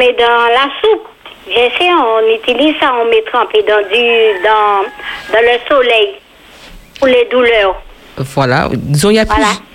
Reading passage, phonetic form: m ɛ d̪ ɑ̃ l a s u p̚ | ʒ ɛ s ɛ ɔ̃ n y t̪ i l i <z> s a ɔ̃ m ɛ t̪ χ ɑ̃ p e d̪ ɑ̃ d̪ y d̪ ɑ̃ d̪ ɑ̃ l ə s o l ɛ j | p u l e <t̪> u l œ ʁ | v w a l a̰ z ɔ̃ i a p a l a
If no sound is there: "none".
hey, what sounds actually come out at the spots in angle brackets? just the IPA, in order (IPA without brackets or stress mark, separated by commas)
z, d̪